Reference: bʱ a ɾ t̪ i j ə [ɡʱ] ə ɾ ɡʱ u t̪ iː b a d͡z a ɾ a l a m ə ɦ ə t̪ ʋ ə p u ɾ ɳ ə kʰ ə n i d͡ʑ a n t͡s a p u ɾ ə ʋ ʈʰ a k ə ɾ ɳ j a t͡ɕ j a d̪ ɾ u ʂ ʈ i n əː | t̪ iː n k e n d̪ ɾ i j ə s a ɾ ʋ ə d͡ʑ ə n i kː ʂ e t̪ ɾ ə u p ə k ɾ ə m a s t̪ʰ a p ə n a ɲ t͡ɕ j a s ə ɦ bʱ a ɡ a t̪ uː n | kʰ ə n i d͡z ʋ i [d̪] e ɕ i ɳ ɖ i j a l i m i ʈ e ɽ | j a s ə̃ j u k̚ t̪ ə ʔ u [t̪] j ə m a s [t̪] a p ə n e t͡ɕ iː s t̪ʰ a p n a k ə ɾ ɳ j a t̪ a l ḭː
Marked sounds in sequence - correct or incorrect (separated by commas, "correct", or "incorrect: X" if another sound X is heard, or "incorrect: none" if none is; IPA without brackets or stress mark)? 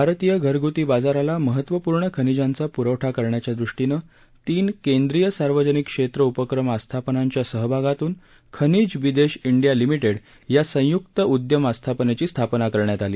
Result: correct, correct, incorrect: d̪, incorrect: t̪ʰ